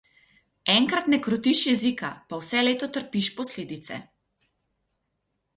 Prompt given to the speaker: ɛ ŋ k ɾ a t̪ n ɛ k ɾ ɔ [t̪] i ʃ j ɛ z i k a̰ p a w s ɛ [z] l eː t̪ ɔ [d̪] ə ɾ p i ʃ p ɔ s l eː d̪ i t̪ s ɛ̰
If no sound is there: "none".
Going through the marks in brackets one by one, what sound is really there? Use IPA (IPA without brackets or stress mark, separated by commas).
t̪, none, t̪